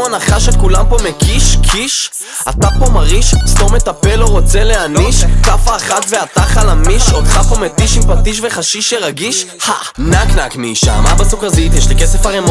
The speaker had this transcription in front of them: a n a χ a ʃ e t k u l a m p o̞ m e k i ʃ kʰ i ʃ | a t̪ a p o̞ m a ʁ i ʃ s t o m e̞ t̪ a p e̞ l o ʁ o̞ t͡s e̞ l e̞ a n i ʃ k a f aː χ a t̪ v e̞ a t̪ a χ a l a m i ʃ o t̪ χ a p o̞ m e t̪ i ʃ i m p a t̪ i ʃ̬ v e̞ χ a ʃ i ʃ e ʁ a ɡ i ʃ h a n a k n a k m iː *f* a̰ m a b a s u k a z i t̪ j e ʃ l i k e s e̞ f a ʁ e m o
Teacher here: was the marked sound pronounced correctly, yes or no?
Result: no